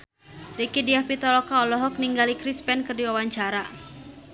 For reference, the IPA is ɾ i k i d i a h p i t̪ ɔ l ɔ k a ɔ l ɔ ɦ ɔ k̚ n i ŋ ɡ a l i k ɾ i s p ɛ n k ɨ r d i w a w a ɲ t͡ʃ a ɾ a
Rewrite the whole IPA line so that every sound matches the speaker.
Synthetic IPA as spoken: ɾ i k i d i a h p i t̪ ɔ l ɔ k a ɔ l ɔ ɦ ɔ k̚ n i ŋ ɡ a l i k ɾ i s p ɛ n k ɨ r d i w a w a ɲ t͡ʃ a ɾ a